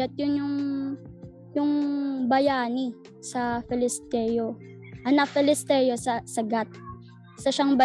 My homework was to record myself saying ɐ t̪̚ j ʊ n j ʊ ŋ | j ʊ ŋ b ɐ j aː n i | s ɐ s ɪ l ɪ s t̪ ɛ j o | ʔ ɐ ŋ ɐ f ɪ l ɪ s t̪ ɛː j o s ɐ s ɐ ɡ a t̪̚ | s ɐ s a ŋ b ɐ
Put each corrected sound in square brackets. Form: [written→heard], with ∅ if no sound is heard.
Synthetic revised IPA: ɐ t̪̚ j ʊ n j ʊ ŋ | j ʊ ŋ b ɐ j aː n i | s ɐ [s→f] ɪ l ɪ s t̪ ɛ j o | ʔ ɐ [ŋ→n] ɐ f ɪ l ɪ s t̪ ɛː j o s ɐ s ɐ ɡ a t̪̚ | s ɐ [s→ʃ] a ŋ b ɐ